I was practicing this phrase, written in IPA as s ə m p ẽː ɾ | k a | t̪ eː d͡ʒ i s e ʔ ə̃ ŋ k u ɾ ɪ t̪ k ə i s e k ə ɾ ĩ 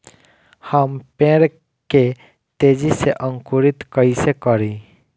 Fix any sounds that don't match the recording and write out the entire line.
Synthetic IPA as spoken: h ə m p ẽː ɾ | k e | t̪ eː d͡ʒ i s e ʔ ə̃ ŋ k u ɾ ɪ t̪ k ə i s e k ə ɾ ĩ